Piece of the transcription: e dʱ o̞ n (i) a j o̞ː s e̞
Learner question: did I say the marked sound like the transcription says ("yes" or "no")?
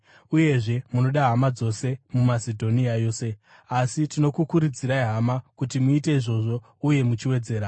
yes